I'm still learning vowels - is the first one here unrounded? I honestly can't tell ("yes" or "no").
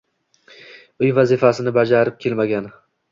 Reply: no